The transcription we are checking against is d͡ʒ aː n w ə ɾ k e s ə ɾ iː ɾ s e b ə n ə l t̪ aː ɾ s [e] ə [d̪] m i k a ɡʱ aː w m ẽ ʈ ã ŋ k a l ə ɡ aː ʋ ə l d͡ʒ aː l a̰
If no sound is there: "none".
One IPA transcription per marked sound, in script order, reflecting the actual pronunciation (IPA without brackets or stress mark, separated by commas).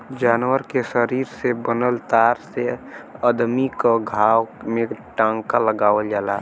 e, d̪